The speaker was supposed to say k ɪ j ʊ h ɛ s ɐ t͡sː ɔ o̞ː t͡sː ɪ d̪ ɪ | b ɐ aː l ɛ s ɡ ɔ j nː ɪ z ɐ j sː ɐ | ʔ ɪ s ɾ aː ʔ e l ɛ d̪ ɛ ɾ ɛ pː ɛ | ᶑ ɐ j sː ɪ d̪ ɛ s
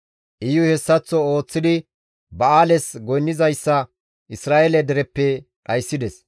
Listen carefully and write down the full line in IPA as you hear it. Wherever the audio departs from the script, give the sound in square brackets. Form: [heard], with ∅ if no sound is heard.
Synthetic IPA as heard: [ʔ] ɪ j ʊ h ɛ [sː] ɐ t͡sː ɔ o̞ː t͡sː ɪ d̪ ɪ | b ɐ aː l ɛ s ɡ ɔ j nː ɪ z ɐ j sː ɐ | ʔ ɪ s ɾ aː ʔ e l ɛ d̪ ɛ ɾ ɛ pː ɛ | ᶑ ɐ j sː ɪ d̪ ɛ s